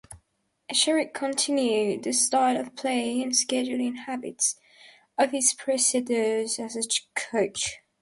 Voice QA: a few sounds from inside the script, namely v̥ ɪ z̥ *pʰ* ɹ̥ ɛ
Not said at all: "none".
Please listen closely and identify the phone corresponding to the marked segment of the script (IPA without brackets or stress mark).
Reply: pʰ